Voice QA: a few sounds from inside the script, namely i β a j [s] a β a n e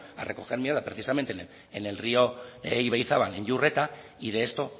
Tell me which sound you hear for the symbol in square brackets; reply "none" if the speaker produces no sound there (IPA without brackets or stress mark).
θ